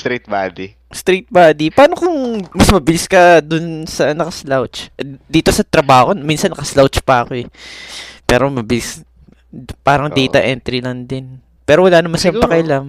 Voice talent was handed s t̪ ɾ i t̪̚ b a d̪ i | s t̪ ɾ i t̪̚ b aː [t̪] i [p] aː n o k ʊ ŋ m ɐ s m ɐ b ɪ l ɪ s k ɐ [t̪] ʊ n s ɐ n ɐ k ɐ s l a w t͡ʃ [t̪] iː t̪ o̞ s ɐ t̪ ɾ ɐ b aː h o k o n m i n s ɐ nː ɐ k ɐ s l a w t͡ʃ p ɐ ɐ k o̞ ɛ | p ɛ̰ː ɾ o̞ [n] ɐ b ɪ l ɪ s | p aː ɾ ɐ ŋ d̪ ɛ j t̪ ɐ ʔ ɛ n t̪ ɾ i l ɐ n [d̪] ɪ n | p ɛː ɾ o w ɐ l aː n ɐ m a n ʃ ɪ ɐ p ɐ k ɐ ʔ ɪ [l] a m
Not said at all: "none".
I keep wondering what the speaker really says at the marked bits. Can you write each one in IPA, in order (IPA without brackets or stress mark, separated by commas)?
d̪, p, d̪, d̪, m, d̪, l